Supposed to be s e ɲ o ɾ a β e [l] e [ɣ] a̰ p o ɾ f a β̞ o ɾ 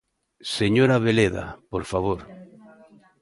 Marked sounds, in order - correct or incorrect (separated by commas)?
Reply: correct, incorrect